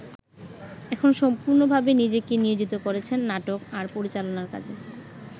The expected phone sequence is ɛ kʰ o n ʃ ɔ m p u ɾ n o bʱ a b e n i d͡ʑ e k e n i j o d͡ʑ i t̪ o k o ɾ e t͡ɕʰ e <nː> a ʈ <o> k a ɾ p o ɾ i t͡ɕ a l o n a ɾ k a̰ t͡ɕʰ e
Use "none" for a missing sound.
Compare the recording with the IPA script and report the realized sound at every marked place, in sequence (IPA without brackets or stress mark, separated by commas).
nː, o